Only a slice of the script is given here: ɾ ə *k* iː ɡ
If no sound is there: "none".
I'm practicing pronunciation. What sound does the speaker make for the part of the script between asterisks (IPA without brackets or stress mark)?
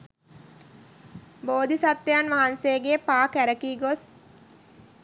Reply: k